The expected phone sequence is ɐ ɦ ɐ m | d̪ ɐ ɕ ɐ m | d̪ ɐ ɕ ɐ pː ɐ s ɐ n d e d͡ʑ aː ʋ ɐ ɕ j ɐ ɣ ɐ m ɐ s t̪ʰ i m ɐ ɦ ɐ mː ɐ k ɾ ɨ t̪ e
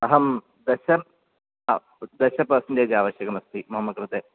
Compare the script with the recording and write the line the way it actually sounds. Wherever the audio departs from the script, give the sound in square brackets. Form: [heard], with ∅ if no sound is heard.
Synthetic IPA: ɐ ɦ ɐ m | d̪ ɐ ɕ ɐ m | d̪ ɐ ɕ ɐ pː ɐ s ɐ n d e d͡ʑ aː ʋ ɐ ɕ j ɐ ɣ ɐ m ɐ s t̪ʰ i m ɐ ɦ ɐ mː ɐ k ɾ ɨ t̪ e